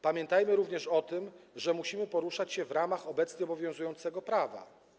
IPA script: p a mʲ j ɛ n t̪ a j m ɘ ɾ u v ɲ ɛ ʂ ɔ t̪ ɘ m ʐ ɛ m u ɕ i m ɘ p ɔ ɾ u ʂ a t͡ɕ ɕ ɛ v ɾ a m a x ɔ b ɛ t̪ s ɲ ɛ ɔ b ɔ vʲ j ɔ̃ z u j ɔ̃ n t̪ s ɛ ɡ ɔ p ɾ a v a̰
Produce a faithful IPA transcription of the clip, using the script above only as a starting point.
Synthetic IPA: p a mʲ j ɛ n t̪ a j m ɘ ɾ u v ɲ ɛ ʂ ɔ t̪ ɘ m ʐ ɛ m u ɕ i m ɘ p ɔ ɾ u ʂ a t͡ɕ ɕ ɛ v ɾ a m a x ɔ b ɛ t̪ s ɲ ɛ ɔ b ɔ vʲ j ɔ̃ z u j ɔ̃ n t̪ s ɛ ɡ ɔ p ɾ a v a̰